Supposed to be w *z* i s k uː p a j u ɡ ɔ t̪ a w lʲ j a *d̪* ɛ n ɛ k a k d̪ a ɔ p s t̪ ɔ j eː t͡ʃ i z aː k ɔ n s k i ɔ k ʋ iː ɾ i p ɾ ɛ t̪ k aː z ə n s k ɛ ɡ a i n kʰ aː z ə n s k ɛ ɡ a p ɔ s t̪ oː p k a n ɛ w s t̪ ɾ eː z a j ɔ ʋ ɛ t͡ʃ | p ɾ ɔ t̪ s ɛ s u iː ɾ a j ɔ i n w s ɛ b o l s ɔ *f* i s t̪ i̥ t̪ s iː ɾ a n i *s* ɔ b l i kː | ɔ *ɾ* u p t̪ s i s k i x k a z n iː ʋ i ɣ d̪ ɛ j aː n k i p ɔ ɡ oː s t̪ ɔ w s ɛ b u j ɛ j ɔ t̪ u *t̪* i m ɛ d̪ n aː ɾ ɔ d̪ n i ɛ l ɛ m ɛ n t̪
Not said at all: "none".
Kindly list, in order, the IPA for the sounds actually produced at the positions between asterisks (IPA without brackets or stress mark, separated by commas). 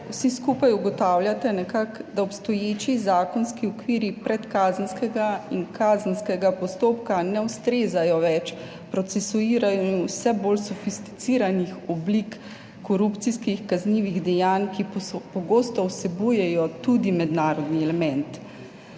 s, t̪, f, x, ɾ, d̪